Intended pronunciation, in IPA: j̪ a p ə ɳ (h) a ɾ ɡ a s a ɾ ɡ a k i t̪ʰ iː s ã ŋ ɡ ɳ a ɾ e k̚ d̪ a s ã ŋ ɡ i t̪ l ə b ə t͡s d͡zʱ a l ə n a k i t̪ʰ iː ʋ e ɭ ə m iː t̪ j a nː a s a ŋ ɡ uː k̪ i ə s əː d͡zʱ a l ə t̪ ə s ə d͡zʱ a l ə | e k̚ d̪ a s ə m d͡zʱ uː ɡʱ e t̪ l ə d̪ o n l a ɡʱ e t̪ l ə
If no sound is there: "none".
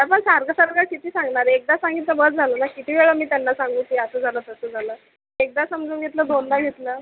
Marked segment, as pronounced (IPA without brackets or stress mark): s